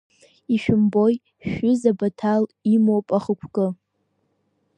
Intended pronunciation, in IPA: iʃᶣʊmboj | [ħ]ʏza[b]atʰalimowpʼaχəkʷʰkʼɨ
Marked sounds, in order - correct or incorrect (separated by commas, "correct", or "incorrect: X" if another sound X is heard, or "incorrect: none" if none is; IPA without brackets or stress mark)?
incorrect: ʃ, correct